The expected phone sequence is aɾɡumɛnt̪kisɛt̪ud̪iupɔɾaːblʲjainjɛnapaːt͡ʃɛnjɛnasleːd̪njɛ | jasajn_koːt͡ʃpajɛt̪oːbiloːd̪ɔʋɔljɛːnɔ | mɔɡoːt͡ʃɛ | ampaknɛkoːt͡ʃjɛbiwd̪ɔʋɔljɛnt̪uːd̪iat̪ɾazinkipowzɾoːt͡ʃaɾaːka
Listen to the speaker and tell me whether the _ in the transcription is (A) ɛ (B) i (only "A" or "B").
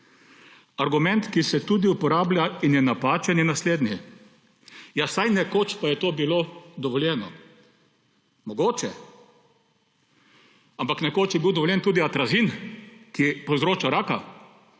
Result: A